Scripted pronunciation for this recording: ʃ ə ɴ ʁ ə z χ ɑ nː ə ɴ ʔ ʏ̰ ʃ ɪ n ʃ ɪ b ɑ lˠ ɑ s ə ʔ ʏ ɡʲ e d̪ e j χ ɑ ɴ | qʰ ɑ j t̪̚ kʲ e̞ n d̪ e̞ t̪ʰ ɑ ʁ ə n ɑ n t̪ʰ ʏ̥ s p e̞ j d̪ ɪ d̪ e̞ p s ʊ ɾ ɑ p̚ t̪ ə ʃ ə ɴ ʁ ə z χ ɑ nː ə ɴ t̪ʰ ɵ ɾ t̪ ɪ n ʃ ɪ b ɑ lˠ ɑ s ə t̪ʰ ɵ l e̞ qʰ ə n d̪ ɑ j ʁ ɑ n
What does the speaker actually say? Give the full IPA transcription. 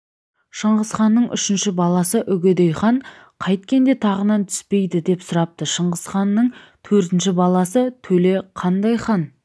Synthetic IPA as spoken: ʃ ə ɴ ʁ ə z χ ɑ nː ə ɴ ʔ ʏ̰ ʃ ɪ n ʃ ɪ b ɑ lˠ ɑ s ə ʔ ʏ ɡʲ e d̪ e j χ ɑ ɴ | qʰ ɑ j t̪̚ kʲ e̞ n d̪ e̞ t̪ʰ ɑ ʁ ə n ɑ n t̪ʰ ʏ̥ s p e̞ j d̪ ɪ d̪ e̞ p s ʊ ɾ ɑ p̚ t̪ ə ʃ ə ɴ ʁ ə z χ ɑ nː ə ɴ t̪ʰ ɵ ɾ t̪ ɪ n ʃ ɪ b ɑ lˠ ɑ s ə t̪ʰ ɵ l e̞ qʰ ɑ n d̪ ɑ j χ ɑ n